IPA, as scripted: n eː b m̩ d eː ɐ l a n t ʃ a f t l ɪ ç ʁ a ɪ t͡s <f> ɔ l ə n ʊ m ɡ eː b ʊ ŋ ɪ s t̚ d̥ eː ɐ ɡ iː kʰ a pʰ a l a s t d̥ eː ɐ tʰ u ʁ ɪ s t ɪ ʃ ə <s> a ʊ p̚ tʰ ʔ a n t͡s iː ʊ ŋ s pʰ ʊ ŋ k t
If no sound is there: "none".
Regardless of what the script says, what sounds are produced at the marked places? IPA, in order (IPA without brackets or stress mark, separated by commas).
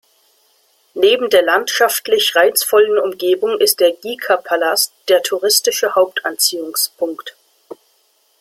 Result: f, h